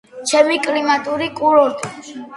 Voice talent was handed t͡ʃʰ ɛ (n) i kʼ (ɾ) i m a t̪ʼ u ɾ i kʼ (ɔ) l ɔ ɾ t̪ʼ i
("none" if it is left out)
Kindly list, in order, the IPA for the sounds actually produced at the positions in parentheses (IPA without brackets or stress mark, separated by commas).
m, l, u